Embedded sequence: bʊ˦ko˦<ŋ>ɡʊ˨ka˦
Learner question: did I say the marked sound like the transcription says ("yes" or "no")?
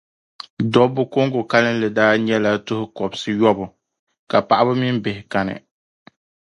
yes